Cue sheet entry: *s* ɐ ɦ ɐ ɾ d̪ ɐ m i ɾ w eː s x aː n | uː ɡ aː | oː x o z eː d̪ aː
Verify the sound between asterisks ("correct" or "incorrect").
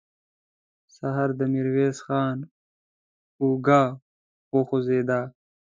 correct